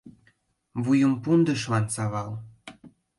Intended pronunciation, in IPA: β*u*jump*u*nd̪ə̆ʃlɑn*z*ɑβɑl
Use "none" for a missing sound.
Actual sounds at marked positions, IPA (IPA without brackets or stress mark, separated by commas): u, u, s